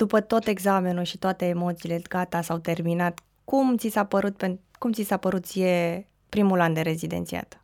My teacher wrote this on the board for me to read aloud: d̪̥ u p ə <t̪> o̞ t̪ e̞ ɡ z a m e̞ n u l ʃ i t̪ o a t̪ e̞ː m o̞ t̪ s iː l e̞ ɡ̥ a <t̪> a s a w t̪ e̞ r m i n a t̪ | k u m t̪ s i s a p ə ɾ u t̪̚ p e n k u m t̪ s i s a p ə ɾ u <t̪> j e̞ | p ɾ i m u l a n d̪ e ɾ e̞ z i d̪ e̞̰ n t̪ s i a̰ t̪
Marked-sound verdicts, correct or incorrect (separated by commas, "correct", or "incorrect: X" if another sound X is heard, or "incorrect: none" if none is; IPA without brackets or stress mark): correct, correct, correct